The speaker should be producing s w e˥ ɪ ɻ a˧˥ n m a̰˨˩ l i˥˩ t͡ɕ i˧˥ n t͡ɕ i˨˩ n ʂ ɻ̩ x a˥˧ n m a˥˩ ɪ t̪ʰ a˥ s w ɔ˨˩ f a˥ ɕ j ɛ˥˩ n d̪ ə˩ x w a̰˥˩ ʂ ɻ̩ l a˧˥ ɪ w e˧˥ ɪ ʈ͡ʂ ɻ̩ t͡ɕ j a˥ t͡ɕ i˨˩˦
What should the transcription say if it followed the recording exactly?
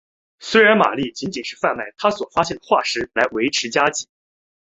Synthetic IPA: s w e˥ ɪ ɻ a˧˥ n m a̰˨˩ l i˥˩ t͡ɕ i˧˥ n t͡ɕ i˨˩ n ʂ ɻ̩ f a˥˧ n m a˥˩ ɪ t̪ʰ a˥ s w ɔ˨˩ f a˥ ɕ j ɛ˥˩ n d̪ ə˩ x w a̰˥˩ ʂ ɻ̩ l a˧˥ ɪ w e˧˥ ɪ ʈ͡ʂʰ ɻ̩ t͡ɕ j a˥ t͡ɕ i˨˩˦

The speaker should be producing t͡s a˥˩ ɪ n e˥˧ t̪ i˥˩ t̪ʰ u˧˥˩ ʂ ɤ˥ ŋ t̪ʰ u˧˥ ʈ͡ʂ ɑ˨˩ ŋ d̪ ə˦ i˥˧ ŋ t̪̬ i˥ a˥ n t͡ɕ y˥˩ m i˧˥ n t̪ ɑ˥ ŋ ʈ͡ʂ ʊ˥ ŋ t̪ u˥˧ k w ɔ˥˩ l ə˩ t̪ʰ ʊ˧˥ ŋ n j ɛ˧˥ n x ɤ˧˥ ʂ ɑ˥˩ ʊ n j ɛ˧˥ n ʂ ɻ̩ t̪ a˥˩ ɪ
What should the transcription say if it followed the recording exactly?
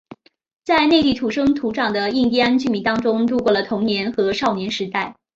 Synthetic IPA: t͡s a˥˧ ɪ n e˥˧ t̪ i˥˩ t̪ʰ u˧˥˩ ʂ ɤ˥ ŋ t̪ʰ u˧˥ ʈ͡ʂ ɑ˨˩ ŋ d̪ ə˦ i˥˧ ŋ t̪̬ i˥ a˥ n t͡ɕ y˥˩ m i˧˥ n t̪ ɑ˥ ŋ ʈ͡ʂ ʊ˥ ŋ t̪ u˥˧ k w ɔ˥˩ l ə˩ t̪ʰ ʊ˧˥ ŋ n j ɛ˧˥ n x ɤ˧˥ ʂ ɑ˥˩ ʊ n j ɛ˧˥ n ʂ ɻ̩ t̪ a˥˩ ɪ

